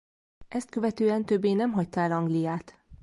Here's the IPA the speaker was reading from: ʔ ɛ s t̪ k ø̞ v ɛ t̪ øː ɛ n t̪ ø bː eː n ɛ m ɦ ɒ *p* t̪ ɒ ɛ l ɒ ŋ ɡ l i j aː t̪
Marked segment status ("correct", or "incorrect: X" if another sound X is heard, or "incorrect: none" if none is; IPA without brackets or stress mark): incorrect: c